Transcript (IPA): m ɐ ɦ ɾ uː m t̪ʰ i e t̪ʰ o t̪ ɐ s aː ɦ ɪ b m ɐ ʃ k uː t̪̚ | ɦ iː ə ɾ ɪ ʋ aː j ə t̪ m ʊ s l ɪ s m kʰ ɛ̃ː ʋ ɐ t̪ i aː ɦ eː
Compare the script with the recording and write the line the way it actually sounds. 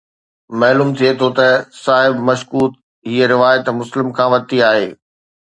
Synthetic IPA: m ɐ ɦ l uː m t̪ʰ i e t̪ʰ o t̪ ɐ s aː ɦ ɪ b m ɐ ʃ k uː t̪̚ | ɦ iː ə ɾ ɪ ʋ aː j ə t̪ m ʊ s l ɪ m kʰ ãː ʋ ɐ t̪ i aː ɦ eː